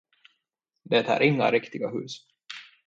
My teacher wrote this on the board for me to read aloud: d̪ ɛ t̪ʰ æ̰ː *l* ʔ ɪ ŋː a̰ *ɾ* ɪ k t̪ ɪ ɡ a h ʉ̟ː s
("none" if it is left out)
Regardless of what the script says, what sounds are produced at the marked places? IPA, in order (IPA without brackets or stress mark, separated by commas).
ɾ, ɾ